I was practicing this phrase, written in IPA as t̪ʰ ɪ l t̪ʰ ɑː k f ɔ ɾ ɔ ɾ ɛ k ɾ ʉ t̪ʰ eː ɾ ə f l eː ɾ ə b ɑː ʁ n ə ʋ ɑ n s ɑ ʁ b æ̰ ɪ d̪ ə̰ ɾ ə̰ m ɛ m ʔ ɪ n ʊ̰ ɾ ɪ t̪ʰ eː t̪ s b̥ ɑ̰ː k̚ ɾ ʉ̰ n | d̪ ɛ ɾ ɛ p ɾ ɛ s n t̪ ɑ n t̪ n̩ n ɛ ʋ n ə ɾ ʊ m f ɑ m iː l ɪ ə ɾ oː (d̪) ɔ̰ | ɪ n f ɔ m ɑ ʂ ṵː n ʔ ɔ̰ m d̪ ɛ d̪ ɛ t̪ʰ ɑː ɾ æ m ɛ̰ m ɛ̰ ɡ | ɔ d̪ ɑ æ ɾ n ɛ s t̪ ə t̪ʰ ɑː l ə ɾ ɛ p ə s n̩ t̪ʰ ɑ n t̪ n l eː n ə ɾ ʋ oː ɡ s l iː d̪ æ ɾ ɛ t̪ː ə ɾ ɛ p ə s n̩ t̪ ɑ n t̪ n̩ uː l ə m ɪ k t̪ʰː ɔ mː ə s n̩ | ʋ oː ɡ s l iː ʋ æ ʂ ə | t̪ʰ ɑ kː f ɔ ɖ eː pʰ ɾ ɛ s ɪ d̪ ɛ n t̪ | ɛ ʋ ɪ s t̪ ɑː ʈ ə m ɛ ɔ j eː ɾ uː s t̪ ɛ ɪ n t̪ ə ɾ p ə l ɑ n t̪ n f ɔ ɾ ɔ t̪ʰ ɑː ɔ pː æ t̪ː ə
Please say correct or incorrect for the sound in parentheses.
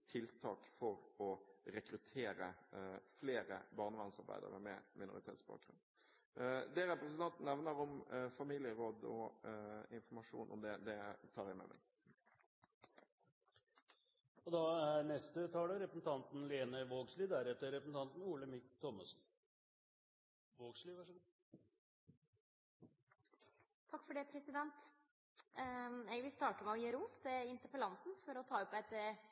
correct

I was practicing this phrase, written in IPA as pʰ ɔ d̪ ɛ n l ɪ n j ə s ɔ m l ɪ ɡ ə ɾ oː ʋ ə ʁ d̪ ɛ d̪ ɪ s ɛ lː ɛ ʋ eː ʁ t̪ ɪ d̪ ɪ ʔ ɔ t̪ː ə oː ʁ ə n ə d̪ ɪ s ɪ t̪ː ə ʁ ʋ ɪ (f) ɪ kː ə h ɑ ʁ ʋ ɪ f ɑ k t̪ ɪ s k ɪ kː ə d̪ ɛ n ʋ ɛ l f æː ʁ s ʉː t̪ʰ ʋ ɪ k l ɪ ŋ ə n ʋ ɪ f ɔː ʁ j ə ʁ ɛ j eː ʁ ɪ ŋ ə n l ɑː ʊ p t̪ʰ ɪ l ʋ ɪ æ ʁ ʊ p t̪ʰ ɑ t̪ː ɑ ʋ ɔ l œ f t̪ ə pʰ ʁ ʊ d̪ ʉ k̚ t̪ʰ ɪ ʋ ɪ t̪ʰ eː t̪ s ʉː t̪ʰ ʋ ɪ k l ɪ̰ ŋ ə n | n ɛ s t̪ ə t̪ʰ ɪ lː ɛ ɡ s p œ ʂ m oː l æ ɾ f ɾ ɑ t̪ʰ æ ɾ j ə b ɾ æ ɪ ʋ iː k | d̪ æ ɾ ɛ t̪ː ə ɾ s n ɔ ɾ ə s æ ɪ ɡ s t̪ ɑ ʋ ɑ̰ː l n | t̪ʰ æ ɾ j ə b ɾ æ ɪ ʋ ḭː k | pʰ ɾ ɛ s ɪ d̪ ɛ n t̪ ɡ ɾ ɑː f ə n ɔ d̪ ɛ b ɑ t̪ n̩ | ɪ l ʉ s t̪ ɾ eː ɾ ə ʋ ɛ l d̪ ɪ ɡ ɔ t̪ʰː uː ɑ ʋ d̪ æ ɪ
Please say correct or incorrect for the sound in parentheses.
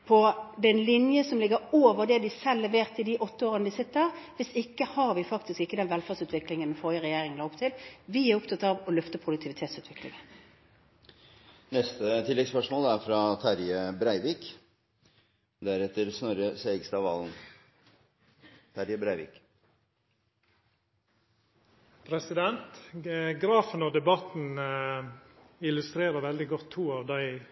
incorrect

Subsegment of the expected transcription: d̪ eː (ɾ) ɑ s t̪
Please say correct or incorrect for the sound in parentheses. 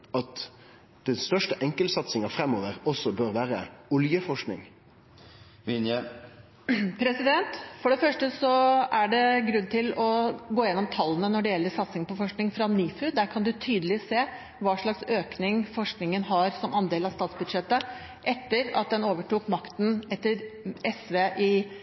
incorrect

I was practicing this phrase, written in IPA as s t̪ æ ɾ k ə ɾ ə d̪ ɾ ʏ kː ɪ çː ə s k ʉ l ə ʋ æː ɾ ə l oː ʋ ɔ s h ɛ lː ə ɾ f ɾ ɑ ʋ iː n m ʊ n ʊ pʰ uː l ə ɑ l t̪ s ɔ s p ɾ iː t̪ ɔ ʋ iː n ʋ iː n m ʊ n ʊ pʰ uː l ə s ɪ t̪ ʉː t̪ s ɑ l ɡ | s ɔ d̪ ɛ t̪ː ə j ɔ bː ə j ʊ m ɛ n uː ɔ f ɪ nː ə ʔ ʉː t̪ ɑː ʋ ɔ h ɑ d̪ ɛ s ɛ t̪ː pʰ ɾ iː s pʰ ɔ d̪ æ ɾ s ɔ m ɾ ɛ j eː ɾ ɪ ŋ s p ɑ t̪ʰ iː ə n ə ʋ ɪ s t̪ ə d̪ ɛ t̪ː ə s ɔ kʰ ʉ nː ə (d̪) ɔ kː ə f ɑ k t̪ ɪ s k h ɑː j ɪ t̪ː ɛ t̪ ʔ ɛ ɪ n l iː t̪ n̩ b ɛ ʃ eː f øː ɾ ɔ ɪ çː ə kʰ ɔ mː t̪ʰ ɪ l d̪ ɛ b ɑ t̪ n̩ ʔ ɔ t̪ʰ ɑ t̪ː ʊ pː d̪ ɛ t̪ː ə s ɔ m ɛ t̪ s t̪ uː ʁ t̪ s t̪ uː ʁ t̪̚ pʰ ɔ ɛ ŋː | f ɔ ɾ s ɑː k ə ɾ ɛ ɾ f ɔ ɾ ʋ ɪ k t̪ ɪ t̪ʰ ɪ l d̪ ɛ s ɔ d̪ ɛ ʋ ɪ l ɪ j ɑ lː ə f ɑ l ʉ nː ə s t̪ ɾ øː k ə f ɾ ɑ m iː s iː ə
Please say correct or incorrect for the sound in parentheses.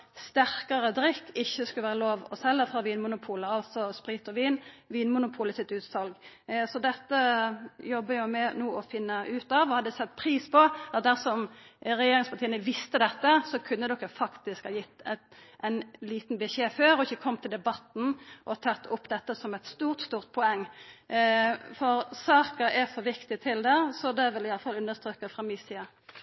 correct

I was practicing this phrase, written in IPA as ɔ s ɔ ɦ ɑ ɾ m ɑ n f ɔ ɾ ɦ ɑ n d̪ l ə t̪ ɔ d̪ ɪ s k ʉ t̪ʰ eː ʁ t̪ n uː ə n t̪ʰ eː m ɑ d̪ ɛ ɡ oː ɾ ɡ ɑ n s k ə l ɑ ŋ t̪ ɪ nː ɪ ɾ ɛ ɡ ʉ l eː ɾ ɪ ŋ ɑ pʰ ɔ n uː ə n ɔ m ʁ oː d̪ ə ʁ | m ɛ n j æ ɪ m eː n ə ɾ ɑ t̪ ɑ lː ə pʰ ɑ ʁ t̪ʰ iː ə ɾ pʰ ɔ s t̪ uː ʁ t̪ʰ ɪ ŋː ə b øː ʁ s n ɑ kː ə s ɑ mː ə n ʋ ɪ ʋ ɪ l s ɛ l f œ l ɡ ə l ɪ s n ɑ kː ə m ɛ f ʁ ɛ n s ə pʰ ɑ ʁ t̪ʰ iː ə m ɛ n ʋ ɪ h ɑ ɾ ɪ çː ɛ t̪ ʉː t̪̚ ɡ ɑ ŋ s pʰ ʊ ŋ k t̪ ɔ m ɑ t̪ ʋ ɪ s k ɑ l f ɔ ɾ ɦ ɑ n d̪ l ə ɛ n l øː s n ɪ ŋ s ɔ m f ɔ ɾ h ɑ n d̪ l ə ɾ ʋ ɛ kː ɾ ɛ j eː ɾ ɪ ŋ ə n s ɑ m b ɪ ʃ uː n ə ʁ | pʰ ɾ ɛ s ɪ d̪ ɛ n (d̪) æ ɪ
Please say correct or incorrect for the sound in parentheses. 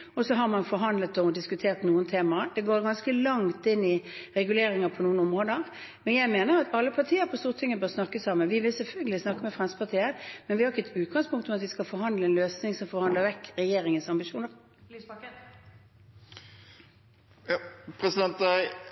incorrect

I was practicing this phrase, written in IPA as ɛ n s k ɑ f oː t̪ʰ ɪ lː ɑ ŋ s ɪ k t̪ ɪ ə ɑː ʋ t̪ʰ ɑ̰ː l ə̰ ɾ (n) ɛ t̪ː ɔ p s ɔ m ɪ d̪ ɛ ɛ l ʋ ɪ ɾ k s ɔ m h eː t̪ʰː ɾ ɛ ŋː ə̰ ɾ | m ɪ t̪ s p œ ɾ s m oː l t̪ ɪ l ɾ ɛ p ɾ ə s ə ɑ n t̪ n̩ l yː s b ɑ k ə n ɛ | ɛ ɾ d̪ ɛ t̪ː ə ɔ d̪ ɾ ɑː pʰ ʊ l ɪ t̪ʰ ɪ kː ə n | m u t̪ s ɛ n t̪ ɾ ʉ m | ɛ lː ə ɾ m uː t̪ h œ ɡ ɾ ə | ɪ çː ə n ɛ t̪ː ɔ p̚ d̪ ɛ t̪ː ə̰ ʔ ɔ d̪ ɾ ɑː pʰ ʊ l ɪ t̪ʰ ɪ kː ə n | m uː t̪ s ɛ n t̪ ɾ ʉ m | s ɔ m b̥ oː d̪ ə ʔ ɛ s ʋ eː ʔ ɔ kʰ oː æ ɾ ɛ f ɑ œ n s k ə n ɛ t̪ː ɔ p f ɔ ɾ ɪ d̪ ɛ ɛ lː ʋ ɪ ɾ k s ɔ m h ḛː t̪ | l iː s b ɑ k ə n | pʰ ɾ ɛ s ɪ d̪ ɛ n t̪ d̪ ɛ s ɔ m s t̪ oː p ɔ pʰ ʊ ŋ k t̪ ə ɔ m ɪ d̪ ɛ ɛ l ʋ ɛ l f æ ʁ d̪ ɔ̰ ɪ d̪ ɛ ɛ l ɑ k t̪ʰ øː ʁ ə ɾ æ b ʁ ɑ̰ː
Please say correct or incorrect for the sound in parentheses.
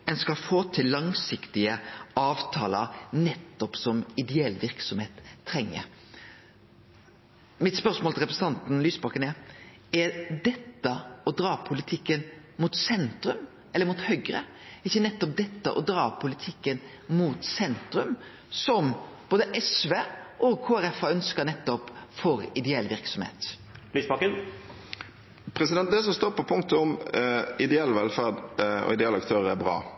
correct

